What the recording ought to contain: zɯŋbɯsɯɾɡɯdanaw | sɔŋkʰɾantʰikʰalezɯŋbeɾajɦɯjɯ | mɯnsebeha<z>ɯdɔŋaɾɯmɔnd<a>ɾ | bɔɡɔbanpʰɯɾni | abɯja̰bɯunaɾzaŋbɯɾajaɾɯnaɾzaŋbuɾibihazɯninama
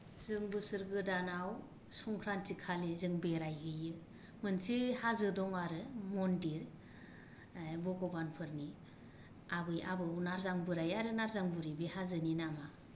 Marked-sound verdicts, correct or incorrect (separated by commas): correct, incorrect